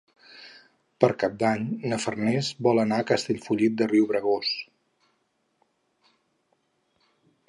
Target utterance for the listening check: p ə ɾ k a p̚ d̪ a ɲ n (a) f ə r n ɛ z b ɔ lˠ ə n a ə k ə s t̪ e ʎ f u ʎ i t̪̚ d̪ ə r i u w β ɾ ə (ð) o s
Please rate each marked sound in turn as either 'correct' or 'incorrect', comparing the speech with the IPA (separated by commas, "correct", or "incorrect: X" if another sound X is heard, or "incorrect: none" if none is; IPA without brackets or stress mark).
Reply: incorrect: ə, incorrect: ɣ